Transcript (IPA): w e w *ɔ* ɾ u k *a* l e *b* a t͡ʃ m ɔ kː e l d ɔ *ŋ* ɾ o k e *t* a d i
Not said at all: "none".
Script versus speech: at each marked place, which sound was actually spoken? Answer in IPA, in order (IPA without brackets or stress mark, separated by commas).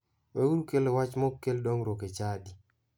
u, e, w, ŋ, t͡ʃ